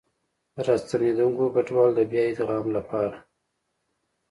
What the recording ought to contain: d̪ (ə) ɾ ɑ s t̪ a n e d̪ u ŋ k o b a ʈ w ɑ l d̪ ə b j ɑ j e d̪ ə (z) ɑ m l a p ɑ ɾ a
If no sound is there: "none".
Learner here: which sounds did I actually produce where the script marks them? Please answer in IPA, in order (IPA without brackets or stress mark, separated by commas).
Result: ə, ɣ